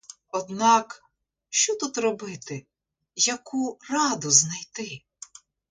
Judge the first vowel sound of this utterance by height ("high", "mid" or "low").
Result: mid